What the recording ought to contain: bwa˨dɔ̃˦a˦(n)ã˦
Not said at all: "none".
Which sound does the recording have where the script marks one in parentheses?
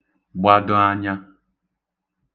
ɲ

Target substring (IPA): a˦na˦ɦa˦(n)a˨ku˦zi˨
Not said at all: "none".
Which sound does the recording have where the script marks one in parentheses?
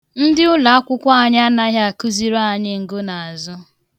none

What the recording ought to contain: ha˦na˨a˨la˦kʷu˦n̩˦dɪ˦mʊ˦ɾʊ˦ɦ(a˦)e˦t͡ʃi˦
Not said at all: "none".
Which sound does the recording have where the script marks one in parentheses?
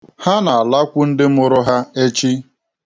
a˦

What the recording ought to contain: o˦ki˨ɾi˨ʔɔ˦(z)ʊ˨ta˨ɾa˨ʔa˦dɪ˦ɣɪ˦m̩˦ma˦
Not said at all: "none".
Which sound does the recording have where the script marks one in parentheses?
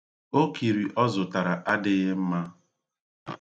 z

